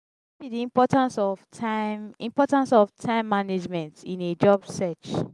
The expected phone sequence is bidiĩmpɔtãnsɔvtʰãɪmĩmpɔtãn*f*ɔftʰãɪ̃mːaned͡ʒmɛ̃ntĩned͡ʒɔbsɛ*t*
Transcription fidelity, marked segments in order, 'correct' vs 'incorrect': incorrect: s, incorrect: t͡ʃ

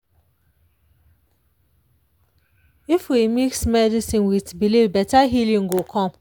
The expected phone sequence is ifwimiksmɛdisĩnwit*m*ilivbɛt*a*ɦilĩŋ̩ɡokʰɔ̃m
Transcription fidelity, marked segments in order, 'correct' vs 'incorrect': incorrect: b, correct

